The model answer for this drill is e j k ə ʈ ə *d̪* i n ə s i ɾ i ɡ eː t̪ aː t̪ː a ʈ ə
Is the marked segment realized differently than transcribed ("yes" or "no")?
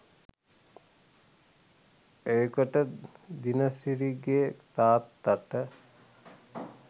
no